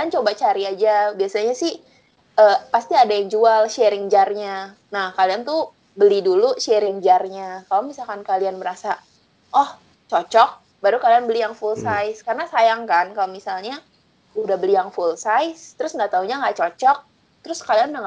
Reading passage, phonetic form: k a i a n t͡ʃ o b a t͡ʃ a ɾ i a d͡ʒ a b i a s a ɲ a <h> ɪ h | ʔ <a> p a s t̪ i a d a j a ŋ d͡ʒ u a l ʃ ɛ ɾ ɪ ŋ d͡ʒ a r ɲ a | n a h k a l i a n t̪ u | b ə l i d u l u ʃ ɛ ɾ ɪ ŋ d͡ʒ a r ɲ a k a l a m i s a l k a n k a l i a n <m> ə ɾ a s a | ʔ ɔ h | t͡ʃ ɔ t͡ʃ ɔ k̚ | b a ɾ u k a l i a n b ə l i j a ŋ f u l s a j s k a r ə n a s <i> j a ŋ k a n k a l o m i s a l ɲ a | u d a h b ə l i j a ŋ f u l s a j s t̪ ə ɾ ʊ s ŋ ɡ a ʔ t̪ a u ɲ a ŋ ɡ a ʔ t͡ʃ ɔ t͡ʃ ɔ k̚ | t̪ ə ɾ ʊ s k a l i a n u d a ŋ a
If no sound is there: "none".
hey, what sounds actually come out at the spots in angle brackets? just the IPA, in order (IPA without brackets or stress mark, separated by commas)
s, ə, b, a